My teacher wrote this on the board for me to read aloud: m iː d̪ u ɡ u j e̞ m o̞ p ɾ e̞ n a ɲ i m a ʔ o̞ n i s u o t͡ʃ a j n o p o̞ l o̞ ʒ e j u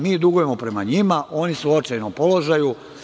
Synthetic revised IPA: m iː d̪ u ɡ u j e̞ m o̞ p ɾ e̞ m a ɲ i m a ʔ o̞ n i s u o t͡ʃ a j n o p o̞ l o̞ ʒ a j u